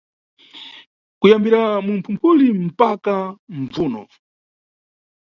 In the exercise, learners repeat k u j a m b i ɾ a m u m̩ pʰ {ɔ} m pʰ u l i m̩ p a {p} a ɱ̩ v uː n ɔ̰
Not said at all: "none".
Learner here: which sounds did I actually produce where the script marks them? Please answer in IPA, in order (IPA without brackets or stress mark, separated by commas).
u, k